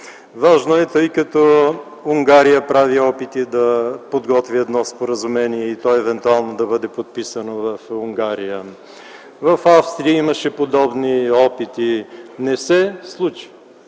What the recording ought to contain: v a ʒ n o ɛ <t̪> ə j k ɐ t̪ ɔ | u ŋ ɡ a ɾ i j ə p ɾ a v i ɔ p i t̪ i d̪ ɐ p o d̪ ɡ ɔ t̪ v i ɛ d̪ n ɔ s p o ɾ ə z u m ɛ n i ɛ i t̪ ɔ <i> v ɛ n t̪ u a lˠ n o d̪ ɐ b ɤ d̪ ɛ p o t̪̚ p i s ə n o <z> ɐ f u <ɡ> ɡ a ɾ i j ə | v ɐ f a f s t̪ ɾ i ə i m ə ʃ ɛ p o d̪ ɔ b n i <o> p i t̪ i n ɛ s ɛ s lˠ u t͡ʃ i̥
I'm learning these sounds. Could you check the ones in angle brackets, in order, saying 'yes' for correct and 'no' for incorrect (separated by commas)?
yes, no, no, no, no